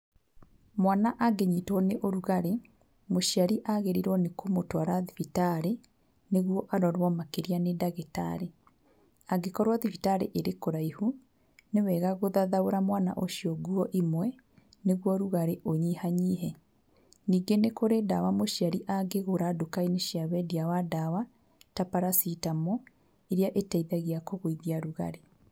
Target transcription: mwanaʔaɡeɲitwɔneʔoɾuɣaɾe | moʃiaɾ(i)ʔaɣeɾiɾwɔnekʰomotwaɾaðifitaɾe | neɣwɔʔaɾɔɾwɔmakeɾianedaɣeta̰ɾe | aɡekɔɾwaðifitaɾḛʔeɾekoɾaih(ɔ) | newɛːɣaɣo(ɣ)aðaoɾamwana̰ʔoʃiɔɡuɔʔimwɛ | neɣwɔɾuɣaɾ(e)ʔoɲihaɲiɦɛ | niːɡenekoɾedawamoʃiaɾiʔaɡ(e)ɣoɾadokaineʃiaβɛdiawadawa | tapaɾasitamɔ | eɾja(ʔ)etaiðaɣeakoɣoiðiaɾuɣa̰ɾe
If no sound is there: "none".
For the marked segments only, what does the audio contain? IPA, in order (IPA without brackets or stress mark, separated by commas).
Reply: i, u, ð, e, e, ʔ